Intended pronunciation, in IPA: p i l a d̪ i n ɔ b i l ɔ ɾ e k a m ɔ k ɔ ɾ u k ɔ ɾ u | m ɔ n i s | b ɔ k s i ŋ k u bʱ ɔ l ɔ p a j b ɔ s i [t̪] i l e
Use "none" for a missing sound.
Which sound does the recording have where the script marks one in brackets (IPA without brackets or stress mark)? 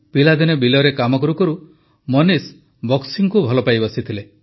t̪ʰ